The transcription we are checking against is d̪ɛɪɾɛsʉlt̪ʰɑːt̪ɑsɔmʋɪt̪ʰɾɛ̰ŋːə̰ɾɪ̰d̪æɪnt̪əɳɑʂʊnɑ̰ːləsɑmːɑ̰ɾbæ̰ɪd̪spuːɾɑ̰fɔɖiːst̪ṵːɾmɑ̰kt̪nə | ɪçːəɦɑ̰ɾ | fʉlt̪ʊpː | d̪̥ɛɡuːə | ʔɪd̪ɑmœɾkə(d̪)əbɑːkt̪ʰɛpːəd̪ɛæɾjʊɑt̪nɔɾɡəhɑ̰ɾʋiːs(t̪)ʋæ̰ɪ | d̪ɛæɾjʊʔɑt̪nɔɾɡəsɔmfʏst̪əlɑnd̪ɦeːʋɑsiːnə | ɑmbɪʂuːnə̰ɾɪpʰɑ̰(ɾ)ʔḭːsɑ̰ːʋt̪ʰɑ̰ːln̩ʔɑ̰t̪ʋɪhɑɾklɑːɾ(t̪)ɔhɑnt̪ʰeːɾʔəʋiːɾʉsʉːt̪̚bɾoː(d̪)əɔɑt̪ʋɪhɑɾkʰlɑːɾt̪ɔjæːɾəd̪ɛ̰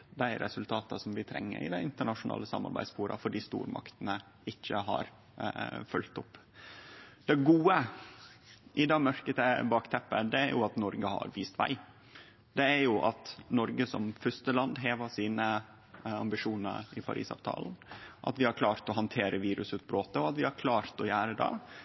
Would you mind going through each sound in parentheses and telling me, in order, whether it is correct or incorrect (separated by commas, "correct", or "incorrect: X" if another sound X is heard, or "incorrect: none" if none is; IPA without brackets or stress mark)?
incorrect: t̪, correct, correct, correct, incorrect: t̪